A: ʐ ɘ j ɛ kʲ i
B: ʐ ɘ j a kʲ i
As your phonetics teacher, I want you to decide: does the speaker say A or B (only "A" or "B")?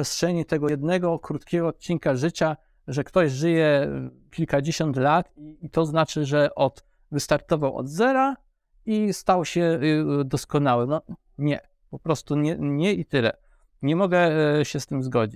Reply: A